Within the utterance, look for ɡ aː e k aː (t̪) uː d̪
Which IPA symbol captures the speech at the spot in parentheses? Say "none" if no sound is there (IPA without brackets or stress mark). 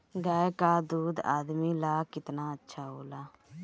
d̪